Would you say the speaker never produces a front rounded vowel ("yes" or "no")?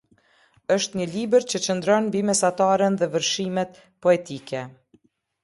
yes